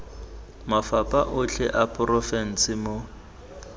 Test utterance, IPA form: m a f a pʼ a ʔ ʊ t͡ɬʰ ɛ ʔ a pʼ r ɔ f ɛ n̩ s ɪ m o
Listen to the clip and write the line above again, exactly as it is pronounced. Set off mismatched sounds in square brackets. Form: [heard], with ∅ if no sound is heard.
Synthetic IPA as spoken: m a f a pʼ a ʔ ʊ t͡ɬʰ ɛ ʔ a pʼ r ɔ f ɛ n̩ s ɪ m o